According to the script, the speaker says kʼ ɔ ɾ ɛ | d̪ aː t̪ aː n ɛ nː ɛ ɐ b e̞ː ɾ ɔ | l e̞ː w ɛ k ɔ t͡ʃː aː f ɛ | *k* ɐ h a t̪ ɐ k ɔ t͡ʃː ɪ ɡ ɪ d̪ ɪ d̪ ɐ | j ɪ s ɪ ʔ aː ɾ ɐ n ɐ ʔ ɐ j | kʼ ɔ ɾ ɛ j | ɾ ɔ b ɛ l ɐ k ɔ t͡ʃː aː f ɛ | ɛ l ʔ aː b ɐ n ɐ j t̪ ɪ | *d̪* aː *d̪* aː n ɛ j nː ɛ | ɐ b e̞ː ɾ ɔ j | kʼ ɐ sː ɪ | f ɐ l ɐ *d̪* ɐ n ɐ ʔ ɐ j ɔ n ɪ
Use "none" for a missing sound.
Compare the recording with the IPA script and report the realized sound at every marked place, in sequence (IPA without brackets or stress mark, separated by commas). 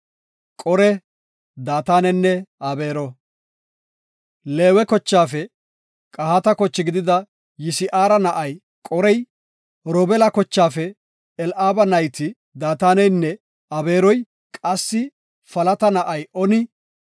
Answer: kʼ, d̪, t̪, t̪